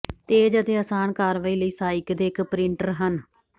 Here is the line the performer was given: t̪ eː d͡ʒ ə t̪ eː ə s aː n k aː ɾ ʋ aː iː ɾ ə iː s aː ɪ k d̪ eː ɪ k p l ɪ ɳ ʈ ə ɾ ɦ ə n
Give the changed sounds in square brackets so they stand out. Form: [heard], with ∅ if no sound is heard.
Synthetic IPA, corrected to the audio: t̪ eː d͡ʒ ə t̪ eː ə s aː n k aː ɾ ʋ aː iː [l] ə iː s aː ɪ k d̪ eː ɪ k p [ɾ] ɪ ɳ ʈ ə ɾ ɦ ə n